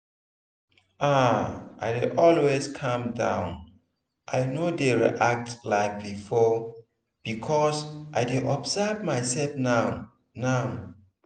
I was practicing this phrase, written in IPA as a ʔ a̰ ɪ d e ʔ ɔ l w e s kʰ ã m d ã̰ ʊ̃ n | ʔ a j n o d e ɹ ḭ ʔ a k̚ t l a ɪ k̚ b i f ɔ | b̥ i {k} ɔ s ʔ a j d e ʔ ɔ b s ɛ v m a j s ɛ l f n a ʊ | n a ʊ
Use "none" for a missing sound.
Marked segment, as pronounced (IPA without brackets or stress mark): kʰ